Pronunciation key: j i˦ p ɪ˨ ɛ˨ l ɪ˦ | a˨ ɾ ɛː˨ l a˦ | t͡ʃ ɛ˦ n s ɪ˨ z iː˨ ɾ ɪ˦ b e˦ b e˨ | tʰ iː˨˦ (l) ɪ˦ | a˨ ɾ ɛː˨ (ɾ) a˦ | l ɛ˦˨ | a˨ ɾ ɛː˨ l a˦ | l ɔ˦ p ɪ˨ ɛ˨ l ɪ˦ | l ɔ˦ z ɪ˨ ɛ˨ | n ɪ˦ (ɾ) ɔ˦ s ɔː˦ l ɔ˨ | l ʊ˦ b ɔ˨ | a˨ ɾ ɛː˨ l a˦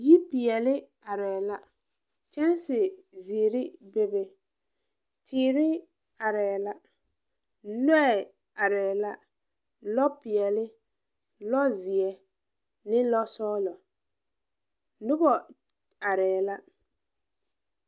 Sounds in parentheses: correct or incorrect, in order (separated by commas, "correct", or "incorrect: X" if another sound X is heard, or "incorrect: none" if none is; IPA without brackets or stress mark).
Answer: incorrect: ɾ, incorrect: l, incorrect: l